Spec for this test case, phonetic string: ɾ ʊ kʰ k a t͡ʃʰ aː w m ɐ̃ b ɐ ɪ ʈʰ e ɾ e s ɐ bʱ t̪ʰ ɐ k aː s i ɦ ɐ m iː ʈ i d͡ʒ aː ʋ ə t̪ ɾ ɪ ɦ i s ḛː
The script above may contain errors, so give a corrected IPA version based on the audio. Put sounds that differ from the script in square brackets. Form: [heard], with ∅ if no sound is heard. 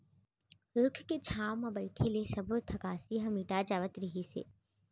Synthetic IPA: ɾ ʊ kʰ k [e] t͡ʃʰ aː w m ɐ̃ b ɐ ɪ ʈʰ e [l] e s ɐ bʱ t̪ʰ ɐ k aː s i ɦ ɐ m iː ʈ [a] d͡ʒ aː ʋ ə t̪ ɾ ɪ ɦ i s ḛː